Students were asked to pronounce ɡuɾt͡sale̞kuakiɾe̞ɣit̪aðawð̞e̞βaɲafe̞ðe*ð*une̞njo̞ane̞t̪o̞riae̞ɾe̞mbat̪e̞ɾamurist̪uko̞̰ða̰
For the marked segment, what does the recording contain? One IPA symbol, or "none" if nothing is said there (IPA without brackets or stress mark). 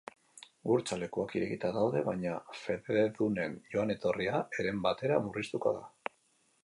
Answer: ð